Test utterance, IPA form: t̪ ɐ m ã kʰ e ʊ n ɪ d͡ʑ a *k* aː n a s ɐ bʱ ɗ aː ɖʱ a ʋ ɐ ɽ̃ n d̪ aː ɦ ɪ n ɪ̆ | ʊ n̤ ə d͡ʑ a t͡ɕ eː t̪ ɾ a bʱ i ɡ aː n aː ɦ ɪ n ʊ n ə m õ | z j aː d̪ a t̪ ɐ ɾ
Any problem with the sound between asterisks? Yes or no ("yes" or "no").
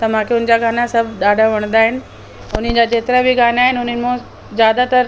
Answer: yes